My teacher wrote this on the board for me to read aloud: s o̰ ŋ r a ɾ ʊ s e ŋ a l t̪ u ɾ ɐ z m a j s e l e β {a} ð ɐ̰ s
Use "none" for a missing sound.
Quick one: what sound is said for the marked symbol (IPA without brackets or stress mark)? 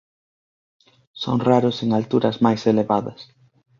a